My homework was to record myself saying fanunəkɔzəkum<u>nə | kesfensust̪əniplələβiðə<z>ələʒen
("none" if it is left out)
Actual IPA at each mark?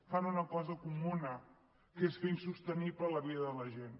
u, ð

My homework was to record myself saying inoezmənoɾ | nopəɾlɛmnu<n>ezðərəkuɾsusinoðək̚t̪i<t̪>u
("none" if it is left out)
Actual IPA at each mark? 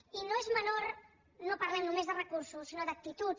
m, t̪

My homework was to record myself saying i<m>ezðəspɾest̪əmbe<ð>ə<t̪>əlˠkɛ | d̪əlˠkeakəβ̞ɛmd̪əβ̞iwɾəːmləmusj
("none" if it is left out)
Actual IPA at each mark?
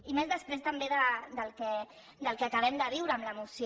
m, ð, d̪

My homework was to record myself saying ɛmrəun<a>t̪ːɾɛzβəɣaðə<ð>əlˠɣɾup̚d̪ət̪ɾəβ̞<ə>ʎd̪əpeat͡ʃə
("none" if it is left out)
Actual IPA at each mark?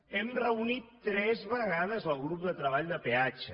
i, z, a

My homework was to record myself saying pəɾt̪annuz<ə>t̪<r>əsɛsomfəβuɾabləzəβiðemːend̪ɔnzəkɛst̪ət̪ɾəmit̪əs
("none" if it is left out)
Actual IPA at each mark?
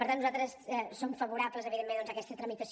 a, ɾ

